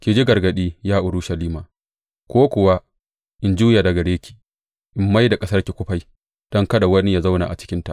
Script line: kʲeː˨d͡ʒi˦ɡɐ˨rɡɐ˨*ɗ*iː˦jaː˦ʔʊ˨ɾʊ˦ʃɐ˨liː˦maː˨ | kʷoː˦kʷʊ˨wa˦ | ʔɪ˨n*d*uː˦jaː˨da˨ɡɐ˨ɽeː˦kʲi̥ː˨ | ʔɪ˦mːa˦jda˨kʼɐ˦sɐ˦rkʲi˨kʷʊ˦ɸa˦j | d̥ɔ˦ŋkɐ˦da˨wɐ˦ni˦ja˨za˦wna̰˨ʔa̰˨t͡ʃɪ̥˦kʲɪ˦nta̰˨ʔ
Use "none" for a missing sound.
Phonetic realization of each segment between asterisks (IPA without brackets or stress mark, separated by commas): ɗ, d͡ʒ